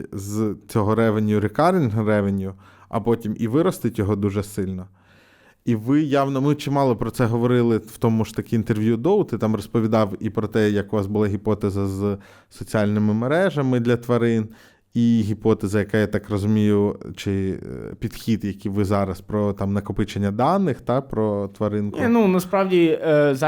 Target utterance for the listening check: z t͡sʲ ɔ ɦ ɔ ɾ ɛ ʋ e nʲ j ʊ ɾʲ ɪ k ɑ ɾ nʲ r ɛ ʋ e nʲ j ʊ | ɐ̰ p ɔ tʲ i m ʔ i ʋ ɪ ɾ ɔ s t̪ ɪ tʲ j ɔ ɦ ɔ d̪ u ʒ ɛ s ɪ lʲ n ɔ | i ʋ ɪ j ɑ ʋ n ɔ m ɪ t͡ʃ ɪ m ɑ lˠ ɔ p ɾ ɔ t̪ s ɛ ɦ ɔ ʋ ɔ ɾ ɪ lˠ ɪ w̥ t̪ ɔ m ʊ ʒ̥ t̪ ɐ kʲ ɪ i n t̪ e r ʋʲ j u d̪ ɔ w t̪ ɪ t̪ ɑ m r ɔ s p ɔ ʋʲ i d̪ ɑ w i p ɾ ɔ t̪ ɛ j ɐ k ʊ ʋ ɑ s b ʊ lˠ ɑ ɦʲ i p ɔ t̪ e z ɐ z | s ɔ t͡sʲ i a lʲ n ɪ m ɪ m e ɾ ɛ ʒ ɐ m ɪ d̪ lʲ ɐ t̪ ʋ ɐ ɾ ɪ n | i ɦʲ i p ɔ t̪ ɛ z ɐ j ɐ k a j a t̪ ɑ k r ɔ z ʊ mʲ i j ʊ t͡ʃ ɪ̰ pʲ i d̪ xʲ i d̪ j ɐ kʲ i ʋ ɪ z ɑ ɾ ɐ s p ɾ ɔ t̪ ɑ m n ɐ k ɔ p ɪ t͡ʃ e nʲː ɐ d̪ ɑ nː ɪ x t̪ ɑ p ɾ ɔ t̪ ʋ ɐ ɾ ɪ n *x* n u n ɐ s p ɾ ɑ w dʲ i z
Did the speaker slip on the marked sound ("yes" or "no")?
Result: yes